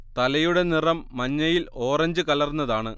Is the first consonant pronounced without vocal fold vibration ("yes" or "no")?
yes